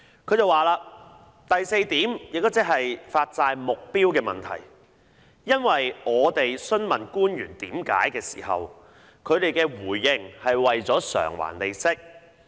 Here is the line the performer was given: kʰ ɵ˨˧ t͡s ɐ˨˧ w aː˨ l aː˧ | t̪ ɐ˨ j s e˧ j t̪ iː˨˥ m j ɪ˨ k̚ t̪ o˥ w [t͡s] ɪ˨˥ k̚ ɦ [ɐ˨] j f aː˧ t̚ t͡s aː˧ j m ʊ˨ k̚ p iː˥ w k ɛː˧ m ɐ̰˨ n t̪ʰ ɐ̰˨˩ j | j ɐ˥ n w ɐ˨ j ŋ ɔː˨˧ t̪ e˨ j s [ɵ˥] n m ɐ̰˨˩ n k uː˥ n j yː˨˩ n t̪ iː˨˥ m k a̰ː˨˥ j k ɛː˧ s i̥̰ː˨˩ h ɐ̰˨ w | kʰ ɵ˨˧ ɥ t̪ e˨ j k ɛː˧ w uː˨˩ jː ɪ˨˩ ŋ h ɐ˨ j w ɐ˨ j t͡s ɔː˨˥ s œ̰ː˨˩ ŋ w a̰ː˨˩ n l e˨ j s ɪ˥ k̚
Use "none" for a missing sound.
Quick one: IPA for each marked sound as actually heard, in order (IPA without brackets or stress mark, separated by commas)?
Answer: t͡s, ɐ˨, ɵ˥